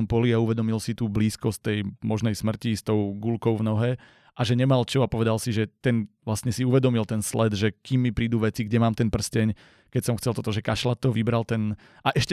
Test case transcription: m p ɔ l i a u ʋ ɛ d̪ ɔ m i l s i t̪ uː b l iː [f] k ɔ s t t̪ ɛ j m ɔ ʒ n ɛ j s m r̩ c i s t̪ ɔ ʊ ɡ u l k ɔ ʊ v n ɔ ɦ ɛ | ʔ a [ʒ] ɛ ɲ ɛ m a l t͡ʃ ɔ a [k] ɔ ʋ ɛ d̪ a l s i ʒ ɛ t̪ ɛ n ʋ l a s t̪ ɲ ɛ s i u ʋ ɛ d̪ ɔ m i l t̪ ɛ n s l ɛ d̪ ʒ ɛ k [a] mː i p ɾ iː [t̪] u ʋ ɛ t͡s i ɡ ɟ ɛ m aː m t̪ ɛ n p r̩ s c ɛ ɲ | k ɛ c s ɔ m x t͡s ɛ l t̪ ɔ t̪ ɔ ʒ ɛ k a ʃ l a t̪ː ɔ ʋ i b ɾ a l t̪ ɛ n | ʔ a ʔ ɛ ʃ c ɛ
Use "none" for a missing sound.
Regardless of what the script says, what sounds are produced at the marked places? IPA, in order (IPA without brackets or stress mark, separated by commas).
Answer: s, ʒ, p, i, d̪